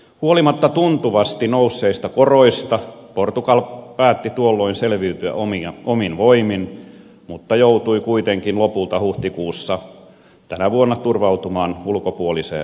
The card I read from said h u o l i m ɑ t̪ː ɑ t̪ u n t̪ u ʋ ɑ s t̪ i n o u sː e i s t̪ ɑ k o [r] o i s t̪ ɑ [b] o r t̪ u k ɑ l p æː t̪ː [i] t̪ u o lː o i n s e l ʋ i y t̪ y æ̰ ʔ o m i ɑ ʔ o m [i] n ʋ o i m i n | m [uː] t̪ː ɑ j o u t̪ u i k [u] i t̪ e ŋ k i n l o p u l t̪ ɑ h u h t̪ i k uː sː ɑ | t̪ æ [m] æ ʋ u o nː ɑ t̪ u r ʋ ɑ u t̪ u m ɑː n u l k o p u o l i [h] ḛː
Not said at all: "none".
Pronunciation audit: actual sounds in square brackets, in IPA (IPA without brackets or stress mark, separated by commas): r, p, i, i, u, u, n, s